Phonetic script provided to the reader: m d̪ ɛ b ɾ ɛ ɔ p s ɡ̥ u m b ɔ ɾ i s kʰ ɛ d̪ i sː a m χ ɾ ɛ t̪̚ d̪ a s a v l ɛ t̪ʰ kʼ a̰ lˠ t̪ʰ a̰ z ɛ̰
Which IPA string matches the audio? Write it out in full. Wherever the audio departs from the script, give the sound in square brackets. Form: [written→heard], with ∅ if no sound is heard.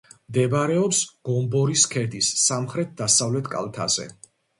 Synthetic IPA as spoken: m d̪ ɛ b ɾ ɛ ɔ p s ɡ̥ [u→ɔ] m b ɔ ɾ i s kʰ ɛ d̪ i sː a m χ ɾ ɛ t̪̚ d̪ a s a v l ɛ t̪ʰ kʼ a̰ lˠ t̪ʰ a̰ z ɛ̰